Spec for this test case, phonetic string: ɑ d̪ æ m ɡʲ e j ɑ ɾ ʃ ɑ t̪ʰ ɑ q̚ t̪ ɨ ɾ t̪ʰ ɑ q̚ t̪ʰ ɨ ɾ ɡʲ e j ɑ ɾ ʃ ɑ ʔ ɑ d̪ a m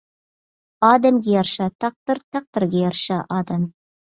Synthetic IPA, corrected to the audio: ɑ d̪ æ m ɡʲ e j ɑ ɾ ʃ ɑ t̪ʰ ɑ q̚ t̪ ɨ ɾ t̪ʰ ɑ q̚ t̪ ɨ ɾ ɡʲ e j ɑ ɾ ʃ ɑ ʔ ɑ d̪ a m